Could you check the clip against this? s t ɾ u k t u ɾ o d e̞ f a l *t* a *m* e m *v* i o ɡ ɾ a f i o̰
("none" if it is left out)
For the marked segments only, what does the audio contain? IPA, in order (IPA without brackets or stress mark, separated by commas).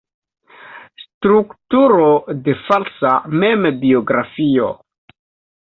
s, m, b